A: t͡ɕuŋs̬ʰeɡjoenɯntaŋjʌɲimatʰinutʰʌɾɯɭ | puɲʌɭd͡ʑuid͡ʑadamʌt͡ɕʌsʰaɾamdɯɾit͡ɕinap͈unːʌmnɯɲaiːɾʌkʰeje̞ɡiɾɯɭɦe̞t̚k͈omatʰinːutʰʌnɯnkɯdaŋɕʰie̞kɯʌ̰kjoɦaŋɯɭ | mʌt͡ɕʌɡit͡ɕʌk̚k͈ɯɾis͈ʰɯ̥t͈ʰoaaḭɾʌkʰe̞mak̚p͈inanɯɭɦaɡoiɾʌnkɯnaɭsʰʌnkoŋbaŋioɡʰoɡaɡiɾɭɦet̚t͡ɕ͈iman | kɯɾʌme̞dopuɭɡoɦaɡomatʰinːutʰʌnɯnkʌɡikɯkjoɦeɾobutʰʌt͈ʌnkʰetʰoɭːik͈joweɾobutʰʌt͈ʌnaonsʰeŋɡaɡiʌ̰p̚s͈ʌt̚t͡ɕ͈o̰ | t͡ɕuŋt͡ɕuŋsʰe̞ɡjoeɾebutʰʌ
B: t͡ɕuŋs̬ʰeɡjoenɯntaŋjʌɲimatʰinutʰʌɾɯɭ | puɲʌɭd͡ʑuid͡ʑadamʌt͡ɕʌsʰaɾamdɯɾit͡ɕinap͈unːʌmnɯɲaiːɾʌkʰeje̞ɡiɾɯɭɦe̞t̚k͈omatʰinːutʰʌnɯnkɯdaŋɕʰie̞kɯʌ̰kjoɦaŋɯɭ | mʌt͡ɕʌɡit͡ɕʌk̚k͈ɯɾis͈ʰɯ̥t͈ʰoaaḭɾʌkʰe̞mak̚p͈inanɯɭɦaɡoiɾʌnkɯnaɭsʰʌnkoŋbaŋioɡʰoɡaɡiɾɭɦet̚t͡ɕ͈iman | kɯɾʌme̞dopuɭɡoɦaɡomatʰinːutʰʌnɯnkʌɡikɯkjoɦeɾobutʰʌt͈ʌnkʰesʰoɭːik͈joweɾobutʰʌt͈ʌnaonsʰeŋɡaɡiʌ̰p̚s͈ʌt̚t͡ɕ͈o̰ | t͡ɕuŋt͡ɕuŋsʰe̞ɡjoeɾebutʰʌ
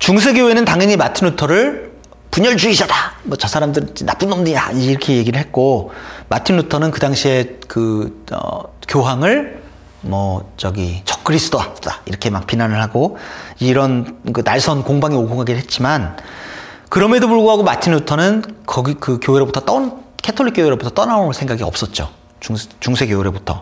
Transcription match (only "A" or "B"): A